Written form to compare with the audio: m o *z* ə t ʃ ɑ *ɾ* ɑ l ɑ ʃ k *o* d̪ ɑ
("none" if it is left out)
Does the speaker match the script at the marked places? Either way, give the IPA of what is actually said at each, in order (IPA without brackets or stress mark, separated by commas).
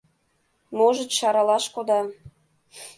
ʒ, ɾ, o